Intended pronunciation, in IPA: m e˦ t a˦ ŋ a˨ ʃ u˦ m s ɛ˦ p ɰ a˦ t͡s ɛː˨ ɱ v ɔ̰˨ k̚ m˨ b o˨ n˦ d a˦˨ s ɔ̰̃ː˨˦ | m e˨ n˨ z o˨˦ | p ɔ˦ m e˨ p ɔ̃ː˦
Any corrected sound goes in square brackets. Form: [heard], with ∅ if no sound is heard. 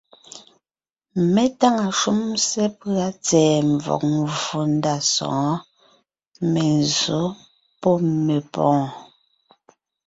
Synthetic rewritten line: m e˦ t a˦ ŋ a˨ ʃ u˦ m s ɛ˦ p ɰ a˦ t͡s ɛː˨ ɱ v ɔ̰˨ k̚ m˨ [v] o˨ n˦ d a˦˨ s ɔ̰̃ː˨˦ | m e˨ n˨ z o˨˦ | p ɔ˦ m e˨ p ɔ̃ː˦